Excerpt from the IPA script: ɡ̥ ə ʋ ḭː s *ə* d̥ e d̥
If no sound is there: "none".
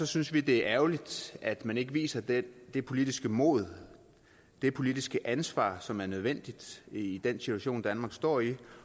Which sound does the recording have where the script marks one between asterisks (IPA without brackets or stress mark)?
ɐ